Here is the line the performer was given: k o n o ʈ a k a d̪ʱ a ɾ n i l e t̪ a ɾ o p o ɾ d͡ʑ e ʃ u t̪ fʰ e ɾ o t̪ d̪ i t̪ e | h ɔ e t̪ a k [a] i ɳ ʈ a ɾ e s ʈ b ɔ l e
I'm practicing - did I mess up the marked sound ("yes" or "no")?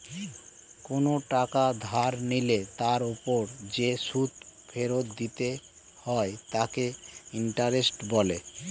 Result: yes